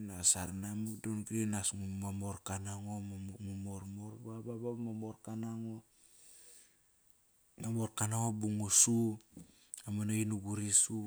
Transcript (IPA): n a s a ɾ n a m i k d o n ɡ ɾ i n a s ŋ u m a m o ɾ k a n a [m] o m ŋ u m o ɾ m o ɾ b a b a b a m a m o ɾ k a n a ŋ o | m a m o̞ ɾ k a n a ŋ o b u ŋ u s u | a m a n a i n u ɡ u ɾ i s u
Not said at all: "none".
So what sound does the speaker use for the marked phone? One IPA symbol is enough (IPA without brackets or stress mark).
ŋ